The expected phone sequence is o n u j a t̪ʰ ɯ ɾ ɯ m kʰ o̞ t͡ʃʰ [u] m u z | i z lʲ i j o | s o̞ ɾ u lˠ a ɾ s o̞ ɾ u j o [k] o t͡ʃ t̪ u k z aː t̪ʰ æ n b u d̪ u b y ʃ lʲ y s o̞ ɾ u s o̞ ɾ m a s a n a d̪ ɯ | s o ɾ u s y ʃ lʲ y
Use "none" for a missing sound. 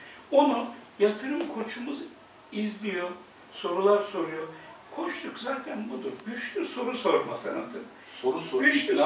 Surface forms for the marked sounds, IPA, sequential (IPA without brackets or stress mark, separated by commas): u, kʰ